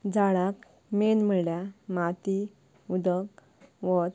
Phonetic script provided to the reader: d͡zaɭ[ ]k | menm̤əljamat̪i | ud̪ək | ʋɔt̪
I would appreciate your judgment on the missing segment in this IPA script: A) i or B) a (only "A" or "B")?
B